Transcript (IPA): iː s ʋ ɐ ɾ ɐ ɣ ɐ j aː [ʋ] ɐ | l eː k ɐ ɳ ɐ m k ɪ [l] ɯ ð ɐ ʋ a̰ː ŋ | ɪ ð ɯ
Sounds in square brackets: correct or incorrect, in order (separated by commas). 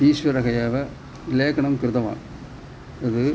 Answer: correct, incorrect